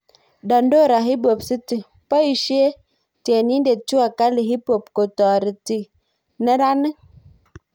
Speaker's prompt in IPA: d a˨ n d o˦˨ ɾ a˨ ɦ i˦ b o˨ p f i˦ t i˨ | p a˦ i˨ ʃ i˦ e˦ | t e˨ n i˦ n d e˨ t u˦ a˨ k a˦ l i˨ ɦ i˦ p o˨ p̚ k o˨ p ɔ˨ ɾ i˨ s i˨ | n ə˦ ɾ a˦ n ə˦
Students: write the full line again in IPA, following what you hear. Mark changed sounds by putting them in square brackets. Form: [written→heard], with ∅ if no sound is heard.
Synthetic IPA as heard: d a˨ n d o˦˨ ɾ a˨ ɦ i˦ b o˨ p [f→s] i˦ t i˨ | p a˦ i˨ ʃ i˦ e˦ | t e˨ n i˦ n d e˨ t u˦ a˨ k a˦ l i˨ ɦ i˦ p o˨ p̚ k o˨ [p→t] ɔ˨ ɾ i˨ [s→t] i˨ | n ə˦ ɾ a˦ n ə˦

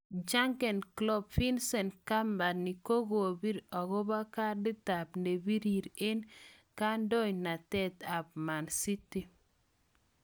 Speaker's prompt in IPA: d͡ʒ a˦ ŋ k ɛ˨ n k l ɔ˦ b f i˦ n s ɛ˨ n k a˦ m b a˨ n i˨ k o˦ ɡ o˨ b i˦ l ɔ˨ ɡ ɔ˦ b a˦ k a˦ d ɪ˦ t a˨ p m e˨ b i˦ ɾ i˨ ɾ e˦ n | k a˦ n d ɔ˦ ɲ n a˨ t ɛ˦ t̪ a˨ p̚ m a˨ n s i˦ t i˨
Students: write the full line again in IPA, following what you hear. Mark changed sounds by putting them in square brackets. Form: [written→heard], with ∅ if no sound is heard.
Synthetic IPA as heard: d͡ʒ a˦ ŋ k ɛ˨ n k l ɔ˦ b f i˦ n s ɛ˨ n k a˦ m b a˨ n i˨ k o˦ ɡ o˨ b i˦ [l→ɾ] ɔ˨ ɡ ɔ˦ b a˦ k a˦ d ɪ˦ t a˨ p [m→n] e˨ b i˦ ɾ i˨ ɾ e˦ n | k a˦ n d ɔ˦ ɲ n a˨ t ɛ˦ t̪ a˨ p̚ m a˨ n s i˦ t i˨

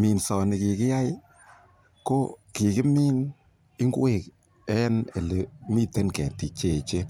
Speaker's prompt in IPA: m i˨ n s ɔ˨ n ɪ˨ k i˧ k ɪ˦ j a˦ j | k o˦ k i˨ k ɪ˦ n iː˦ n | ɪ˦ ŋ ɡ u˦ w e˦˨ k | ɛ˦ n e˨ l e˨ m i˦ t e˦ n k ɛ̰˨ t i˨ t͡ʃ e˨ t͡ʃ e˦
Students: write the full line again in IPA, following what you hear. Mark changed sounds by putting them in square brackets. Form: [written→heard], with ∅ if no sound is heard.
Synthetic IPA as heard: m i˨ n s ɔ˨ n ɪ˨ k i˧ k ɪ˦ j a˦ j | k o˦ k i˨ k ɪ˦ [n→m] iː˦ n | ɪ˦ ŋ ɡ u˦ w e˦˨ k | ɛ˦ n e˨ l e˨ m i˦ t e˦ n k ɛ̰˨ t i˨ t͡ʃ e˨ t͡ʃ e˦

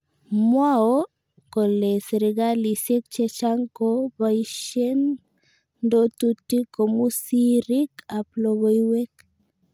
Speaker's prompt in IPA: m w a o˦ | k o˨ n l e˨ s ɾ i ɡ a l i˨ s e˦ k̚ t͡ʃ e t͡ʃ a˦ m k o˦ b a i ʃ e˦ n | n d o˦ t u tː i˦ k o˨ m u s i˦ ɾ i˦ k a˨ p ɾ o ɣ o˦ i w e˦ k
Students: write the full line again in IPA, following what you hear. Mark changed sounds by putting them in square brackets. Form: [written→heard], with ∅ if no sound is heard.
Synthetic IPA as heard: m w a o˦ | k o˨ [n→∅] l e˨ s ɾ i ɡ a l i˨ s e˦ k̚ t͡ʃ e t͡ʃ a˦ [m→ŋ] k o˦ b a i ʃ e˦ n | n d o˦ t u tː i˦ k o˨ m u s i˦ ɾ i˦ k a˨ p [ɾ→l] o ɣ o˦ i w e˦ k

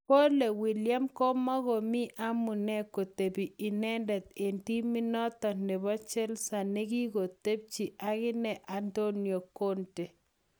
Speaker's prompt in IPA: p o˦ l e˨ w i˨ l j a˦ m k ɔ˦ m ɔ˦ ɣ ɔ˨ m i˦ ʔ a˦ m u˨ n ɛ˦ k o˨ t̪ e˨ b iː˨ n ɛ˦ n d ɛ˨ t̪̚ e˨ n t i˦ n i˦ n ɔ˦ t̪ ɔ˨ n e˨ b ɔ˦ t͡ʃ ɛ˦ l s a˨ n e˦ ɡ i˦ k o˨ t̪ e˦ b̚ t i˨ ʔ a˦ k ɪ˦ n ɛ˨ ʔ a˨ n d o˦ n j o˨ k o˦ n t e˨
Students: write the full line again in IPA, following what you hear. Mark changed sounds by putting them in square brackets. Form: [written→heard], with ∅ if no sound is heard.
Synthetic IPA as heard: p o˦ l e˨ w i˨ l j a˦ m k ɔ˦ m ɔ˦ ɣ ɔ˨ m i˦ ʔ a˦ m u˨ n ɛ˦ k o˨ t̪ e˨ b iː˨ n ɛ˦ n d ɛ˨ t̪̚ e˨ n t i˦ [n→m] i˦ n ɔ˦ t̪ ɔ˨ n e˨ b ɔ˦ t͡ʃ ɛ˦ l s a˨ n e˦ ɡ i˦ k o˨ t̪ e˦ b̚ [t→t͡ʃ] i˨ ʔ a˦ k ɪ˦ n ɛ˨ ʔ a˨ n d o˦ n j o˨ k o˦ n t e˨

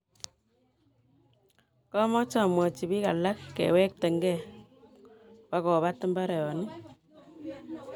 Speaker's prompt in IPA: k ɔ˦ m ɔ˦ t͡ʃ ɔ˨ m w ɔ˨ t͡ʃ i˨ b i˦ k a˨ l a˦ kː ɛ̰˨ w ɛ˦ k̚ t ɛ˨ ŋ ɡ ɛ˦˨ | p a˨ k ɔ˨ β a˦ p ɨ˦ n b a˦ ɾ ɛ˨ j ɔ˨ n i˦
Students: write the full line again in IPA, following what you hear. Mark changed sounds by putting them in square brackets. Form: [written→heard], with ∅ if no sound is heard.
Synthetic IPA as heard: k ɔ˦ m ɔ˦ t͡ʃ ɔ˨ m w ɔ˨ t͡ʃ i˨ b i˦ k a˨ l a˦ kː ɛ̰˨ w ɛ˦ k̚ t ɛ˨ ŋ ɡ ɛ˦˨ | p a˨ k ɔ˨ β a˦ [p→t] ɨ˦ [n→m] b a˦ ɾ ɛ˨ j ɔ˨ n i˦

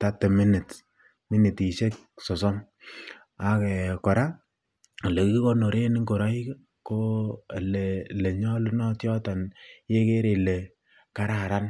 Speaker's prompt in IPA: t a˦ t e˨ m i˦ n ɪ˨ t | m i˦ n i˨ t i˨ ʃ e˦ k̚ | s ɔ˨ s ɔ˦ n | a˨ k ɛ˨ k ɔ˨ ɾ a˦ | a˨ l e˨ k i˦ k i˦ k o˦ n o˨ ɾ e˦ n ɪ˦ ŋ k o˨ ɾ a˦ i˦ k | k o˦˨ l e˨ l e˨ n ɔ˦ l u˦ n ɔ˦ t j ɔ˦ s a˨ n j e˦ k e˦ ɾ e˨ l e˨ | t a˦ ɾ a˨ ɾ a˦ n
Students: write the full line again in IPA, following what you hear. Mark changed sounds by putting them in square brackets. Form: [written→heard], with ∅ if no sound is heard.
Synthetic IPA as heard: t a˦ t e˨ m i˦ n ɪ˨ t | m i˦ n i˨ t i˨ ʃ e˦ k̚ | s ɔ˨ s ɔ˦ [n→m] | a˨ k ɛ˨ k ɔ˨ ɾ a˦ | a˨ l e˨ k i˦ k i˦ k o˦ n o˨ ɾ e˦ n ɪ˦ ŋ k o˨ ɾ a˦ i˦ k | k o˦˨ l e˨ l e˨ [n→ɲ] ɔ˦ l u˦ n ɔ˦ t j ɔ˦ [s→t] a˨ n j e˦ k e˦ ɾ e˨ l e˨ | [t→k] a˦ ɾ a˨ ɾ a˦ n

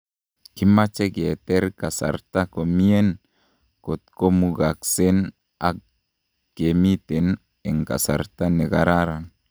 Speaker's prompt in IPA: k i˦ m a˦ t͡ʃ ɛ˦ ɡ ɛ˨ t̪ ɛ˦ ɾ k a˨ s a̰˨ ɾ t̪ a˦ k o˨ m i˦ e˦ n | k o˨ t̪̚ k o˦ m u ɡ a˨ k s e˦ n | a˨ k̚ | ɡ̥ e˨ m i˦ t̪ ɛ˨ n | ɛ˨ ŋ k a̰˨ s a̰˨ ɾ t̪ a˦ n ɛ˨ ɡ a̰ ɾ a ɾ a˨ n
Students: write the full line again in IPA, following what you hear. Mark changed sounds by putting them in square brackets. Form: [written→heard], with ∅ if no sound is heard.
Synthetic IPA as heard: k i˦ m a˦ t͡ʃ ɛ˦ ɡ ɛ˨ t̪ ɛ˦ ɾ k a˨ s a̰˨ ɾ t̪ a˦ k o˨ m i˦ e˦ n | k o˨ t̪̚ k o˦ m u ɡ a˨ k s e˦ n | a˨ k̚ | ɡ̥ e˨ m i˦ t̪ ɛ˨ n | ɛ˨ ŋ k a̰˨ s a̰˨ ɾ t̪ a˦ n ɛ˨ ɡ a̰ ɾ a ɾ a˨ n

